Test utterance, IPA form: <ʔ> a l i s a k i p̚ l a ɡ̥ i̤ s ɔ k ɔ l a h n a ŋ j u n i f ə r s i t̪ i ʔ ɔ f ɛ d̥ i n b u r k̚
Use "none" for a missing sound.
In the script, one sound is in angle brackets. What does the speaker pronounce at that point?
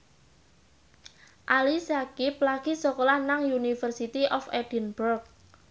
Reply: ʔ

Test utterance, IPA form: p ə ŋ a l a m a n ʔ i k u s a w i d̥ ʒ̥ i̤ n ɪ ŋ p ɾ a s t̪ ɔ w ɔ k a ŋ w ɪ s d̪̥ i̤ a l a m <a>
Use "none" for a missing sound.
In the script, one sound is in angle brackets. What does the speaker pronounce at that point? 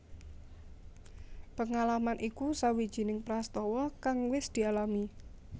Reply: i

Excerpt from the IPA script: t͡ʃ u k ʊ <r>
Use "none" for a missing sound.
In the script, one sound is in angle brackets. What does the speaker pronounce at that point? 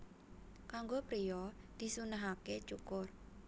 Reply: r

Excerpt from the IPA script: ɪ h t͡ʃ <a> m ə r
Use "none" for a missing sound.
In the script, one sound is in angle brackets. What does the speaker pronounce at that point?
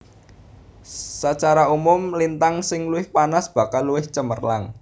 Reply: ə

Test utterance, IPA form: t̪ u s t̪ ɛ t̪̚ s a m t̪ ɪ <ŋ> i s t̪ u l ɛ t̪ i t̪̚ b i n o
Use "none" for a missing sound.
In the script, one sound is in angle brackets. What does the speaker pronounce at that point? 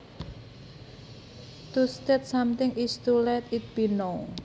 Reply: ŋ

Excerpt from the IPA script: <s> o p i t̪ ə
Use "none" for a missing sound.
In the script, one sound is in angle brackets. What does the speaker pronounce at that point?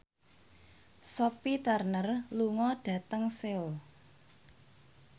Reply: s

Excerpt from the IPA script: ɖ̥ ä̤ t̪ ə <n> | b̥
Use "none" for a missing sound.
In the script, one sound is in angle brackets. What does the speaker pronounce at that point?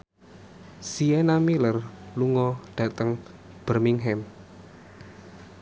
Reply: ŋ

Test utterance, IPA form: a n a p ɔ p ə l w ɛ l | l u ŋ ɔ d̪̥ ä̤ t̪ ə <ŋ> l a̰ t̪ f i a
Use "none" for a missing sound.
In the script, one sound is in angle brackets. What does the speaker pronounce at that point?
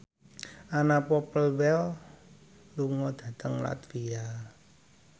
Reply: ŋ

